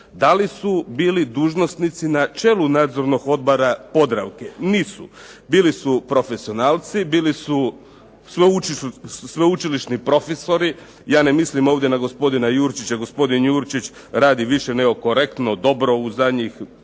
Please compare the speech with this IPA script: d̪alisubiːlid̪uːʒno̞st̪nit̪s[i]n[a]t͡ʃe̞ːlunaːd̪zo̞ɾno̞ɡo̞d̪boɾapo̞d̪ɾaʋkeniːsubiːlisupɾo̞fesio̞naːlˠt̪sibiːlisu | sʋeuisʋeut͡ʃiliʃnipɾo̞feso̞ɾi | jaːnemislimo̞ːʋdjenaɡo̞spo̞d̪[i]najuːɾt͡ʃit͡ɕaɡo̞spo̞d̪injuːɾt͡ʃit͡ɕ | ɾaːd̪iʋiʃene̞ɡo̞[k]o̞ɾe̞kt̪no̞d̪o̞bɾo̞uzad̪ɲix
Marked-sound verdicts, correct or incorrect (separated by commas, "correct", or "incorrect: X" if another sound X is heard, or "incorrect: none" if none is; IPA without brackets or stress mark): correct, correct, correct, correct